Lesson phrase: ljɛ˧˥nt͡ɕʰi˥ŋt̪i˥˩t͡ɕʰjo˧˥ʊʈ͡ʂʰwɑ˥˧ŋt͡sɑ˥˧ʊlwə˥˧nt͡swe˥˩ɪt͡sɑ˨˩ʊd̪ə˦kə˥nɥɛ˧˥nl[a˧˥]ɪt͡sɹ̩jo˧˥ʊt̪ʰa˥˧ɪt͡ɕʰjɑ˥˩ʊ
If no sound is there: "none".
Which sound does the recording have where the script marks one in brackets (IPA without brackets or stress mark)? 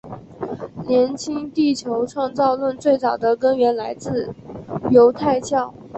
a˧˥